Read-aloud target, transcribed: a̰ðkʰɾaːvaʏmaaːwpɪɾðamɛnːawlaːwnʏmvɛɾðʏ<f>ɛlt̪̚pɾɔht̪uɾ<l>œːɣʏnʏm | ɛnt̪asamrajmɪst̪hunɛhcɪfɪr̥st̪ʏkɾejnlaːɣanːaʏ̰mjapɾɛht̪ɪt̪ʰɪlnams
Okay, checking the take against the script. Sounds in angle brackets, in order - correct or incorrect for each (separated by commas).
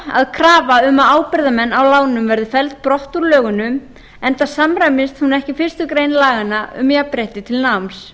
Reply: correct, correct